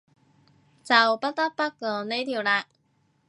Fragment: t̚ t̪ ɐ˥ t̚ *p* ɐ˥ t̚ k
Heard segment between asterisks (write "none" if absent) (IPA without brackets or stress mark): p